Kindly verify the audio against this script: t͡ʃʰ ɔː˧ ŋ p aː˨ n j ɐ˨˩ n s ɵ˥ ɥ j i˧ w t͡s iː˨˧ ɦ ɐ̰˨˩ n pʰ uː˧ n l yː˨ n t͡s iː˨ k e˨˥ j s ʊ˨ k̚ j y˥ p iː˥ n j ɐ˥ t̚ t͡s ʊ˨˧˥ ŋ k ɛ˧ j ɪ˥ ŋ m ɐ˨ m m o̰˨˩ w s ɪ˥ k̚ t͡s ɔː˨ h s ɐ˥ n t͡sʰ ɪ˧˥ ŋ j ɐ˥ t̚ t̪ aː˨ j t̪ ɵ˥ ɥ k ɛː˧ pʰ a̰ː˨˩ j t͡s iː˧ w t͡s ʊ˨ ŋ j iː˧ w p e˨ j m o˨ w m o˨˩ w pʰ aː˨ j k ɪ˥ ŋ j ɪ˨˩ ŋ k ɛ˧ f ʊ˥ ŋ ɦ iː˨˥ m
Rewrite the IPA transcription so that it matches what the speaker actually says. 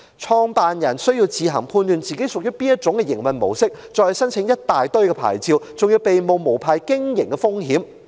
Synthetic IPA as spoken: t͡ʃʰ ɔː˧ ŋ p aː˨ n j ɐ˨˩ n s ɵ˥ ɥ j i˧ w t͡s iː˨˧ ɦ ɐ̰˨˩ ŋ pʰ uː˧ n l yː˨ n t͡s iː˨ k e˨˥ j s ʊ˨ k̚ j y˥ p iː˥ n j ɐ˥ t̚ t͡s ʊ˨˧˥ ŋ k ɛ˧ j ɪ˨˩ ŋ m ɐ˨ n m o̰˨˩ w s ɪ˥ k̚ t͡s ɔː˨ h s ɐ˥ n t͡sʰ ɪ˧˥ ŋ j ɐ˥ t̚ t̪ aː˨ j t̪ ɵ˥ ɥ k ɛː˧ pʰ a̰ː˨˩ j t͡s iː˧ w t͡s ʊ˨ ŋ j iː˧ w p e˨ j m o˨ w m o˨˩ w pʰ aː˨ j k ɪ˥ ŋ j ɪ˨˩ ŋ k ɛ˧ f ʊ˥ ŋ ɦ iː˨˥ m

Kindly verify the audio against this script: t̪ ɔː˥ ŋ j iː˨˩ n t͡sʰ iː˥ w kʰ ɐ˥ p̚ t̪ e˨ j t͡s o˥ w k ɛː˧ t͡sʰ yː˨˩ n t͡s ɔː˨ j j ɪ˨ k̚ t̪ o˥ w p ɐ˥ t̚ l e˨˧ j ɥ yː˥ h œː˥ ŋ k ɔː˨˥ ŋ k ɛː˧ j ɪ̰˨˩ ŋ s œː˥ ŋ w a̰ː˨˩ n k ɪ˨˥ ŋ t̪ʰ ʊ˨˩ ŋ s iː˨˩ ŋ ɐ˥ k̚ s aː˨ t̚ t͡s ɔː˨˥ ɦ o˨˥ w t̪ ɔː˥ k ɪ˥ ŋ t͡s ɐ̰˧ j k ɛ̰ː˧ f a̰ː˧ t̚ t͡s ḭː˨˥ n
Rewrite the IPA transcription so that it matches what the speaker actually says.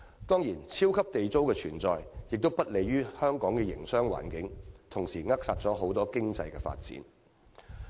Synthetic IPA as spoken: t̪ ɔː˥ ŋ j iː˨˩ n t͡sʰ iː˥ w kʰ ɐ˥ p̚ t̪ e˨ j t͡s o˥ w k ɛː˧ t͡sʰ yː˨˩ n t͡s ɔː˨ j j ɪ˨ k̚ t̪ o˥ w p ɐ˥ t̚ l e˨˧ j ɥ yː˥ h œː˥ ŋ k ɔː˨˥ ŋ k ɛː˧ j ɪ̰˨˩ ŋ s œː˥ ŋ w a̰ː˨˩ n k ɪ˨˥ ŋ t̪ʰ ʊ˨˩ ŋ s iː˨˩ ŋ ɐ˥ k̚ s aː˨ t̚ t͡s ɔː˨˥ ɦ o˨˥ w t̪ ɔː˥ k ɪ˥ ŋ t͡s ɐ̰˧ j k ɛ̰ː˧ f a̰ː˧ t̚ t͡s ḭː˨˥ n

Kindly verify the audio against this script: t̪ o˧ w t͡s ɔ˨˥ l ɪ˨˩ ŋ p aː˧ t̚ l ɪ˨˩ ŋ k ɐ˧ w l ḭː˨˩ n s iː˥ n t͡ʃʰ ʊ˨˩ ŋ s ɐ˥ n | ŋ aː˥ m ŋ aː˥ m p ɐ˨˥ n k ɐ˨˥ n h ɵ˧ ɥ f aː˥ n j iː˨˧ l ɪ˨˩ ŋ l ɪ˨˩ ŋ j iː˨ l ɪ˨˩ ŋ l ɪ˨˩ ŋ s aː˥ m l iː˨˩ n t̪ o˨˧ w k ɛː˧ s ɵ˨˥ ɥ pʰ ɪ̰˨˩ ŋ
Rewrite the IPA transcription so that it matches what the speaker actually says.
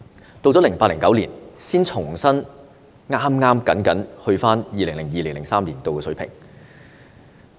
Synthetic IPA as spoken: t̪ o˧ w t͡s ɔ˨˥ l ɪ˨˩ ŋ p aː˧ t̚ l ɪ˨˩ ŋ k ɐ˨˥ w l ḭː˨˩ n s iː˥ n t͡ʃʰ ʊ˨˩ ŋ s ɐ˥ n | ŋ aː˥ m ŋ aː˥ m k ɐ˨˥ n k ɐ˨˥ n h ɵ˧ ɥ f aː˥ n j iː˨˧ l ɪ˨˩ ŋ l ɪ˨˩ ŋ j iː˨ l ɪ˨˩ ŋ l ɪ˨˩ ŋ s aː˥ m l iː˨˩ n t̪ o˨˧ w k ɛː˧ s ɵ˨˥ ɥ pʰ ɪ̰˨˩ ŋ

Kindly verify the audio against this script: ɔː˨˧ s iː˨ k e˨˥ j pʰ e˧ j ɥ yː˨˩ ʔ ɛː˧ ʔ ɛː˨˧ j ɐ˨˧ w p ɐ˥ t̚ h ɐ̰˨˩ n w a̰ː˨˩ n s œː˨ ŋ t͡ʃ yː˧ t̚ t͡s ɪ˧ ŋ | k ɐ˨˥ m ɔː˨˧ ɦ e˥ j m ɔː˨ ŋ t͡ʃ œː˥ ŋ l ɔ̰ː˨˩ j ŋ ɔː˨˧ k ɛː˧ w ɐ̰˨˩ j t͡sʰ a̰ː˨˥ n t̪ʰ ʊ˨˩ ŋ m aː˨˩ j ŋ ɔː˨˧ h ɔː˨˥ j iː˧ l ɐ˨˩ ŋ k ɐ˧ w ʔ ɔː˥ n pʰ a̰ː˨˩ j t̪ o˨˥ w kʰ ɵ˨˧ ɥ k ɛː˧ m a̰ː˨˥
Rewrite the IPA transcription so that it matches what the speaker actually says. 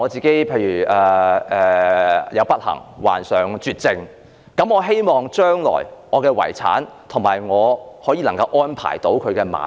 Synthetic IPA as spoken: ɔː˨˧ t͡s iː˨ k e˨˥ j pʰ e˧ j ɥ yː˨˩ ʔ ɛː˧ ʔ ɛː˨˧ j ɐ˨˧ w p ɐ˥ t̚ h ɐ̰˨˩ ŋ w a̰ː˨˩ n s œː˨ ŋ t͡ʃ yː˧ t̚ t͡s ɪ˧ ŋ | k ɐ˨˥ m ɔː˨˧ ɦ e˥ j m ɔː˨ ŋ t͡ʃ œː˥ ŋ l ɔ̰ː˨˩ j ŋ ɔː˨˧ k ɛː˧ w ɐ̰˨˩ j t͡sʰ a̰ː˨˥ n t̪ʰ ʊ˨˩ ŋ m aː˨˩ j ŋ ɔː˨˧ h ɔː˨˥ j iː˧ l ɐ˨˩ ŋ k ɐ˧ w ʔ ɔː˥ n pʰ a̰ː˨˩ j t̪ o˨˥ w kʰ ɵ˨˧ ɥ k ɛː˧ m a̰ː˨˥

